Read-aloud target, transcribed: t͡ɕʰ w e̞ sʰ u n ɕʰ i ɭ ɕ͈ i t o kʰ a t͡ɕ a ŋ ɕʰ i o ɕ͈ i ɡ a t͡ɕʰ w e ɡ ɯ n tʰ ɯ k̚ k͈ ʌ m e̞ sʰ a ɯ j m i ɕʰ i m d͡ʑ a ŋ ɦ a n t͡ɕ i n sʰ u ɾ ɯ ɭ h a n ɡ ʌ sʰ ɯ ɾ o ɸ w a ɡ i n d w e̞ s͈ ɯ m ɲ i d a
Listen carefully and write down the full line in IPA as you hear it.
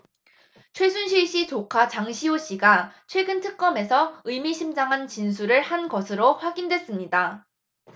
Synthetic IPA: t͡ɕʰ w e̞ sʰ u n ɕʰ i ɭ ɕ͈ i t͡ɕ o kʰ a t͡ɕ a ŋ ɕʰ i o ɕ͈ i ɡ a t͡ɕʰ w e ɡ ɯ n tʰ ɯ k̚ k͈ ʌ m e̞ sʰ ʌ ɯ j m i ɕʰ i m d͡ʑ a ŋ ɦ a n t͡ɕ i n sʰ u ɾ ɯ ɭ h a n ɡ ʌ sʰ ɯ ɾ o ɸ w a ɡ i n d w e̞ s͈ ɯ m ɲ i d a